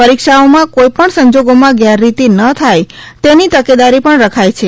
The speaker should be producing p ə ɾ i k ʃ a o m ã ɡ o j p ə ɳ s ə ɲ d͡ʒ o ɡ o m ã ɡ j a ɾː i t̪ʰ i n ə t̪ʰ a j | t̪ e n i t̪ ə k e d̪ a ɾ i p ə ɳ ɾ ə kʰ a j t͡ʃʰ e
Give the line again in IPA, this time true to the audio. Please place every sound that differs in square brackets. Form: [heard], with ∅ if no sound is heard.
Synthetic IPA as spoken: p ə ɾ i k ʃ a o m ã [k] o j p ə ɳ s ə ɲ d͡ʒ o ɡ o m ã ɡ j a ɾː i [t̪] i n ə t̪ʰ a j | t̪ e n i t̪ ə k e d̪ a ɾ i p ə ɳ ɾ ə kʰ a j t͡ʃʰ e